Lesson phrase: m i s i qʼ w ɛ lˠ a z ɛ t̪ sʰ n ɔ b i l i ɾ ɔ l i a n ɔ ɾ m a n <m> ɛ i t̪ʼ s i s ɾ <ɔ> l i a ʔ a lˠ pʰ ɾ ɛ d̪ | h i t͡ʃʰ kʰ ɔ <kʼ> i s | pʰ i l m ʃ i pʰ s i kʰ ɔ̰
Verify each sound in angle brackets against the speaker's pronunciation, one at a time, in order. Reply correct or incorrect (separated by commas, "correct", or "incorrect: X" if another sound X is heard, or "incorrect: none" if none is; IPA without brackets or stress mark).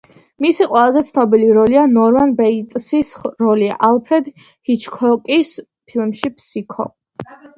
incorrect: b, correct, correct